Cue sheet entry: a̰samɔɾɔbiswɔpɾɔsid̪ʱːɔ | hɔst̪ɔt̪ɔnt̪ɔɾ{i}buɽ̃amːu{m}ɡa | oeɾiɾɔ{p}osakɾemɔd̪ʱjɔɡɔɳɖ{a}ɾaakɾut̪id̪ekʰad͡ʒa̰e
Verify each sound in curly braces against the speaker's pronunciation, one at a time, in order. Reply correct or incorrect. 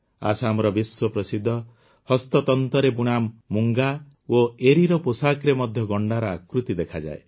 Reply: incorrect: e, incorrect: ŋ, correct, correct

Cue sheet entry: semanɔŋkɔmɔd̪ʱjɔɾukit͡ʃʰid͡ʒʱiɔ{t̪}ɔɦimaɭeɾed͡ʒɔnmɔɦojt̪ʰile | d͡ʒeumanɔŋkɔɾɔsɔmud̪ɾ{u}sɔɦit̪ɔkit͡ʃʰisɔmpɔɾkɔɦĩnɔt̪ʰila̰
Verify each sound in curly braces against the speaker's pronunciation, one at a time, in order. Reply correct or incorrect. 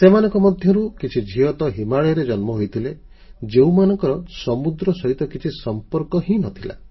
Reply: correct, incorrect: ɔ

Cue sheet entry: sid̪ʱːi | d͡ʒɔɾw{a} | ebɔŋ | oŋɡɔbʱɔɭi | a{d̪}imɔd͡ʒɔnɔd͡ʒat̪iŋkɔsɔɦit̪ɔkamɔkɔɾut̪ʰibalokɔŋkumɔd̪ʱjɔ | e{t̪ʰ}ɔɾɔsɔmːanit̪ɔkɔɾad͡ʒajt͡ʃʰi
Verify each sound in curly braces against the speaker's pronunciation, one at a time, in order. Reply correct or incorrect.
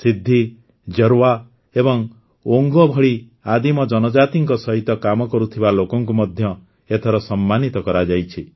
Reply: correct, correct, correct

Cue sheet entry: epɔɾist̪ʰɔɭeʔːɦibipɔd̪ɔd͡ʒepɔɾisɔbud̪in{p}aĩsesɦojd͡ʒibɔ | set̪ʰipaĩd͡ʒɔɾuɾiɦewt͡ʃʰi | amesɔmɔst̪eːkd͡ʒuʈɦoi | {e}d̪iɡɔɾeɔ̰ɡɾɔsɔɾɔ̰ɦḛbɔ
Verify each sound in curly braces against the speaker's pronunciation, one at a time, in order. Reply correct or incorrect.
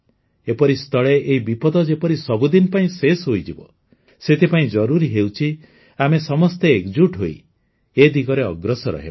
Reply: correct, correct

